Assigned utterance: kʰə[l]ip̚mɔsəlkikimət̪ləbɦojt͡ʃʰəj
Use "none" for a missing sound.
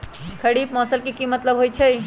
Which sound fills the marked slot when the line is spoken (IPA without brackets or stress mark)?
ɽ